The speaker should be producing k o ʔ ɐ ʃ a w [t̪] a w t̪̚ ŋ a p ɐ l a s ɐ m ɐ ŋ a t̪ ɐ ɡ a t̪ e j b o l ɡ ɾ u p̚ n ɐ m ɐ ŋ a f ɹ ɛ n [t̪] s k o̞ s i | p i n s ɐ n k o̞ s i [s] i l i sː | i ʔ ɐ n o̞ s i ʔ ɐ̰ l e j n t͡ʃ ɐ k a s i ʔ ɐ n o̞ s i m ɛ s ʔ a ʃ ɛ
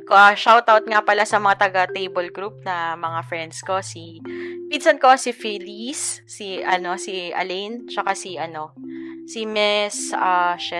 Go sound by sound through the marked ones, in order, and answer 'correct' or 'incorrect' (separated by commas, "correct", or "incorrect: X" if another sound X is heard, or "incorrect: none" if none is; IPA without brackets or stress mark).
correct, incorrect: d̪, incorrect: f